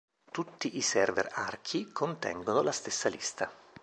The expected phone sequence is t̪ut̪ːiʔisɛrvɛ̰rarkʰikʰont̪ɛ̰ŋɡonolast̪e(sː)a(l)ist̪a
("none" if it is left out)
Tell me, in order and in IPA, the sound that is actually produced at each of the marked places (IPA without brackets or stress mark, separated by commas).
sː, l